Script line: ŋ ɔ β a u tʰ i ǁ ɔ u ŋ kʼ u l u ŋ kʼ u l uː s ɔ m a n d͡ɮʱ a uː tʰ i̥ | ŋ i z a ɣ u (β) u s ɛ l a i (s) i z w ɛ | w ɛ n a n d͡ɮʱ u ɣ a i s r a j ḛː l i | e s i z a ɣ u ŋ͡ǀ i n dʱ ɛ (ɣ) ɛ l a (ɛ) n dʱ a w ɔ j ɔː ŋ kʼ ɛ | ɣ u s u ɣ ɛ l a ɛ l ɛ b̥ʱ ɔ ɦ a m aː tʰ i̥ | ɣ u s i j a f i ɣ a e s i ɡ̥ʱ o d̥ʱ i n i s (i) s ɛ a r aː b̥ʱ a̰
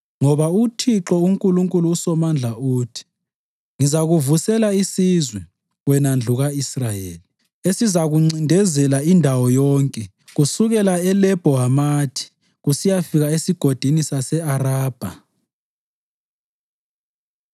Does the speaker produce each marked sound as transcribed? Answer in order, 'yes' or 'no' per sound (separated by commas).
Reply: no, yes, no, no, no